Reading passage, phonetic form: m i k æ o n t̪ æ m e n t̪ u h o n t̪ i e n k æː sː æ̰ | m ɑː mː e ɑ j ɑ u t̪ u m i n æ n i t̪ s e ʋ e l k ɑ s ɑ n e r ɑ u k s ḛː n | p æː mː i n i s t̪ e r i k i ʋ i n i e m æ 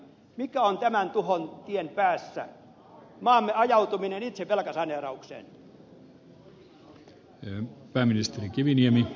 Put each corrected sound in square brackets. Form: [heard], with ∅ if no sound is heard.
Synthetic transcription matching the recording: m i k æ o n t̪ æ m [æ] n t̪ u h o n t̪ i e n [p] æː sː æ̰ | m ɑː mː e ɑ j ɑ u t̪ u m i n [e] n i t̪ s e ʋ e l k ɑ s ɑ n e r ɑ u k s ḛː n | p æː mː i n i s t̪ e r i k i ʋ i n i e m [i]